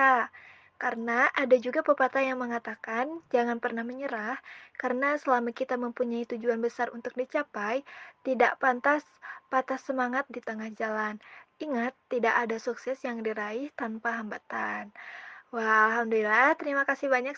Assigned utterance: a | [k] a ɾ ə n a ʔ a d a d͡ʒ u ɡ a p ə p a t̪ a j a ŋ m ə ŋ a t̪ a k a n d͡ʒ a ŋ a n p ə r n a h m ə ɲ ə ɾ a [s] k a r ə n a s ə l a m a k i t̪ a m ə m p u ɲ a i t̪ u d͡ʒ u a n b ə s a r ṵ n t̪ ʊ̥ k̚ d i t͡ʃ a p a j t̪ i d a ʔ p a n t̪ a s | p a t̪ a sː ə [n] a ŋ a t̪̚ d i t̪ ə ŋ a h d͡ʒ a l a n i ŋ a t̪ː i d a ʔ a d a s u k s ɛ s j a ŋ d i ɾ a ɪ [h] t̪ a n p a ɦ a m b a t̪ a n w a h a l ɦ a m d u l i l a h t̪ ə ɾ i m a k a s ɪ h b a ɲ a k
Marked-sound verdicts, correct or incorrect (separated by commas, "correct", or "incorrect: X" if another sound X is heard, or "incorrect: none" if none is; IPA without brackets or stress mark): correct, incorrect: h, incorrect: m, correct